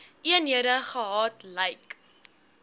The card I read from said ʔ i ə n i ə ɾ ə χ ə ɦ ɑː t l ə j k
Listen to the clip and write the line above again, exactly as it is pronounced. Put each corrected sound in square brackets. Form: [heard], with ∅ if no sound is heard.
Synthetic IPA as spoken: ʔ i ə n i ə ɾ ə χ ə ɦ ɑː t l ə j k